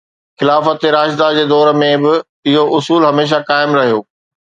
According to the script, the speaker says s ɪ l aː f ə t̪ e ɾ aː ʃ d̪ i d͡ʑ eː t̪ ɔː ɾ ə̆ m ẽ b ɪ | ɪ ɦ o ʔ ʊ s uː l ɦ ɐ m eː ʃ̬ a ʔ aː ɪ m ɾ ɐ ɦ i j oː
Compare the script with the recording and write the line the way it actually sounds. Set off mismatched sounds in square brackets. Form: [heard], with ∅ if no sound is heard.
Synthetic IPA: [x] ɪ l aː f ə t̪ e ɾ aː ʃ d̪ [a] d͡ʑ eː [d̪] ɔː ɾ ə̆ m ẽ b ɪ | ɪ ɦ o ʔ ʊ s uː l ɦ ɐ m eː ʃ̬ a [k] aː ɪ m ɾ ɐ ɦ i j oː